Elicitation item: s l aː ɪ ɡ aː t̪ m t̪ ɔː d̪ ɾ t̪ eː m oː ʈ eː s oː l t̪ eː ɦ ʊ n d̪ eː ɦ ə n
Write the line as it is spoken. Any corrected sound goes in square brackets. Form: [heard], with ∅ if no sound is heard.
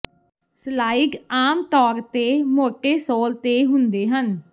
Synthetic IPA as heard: s l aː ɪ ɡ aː [∅] m t̪ ɔː [∅] ɾ t̪ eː m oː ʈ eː s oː l t̪ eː ɦ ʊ n d̪ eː ɦ ə n